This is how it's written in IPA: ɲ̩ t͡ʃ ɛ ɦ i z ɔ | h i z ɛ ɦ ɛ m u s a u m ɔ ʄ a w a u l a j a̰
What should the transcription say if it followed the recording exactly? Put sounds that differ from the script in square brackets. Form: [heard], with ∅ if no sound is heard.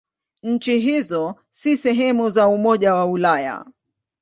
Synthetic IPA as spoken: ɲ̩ t͡ʃ [i] ɦ i z ɔ | [s] i [s] ɛ ɦ ɛ m u [z] a u m ɔ ʄ a w a u l a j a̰